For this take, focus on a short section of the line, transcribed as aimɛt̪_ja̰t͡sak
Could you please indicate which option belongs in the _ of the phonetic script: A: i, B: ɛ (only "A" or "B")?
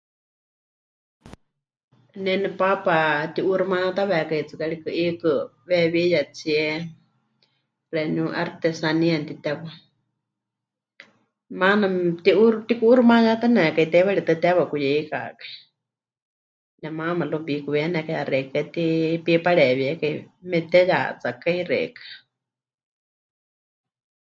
B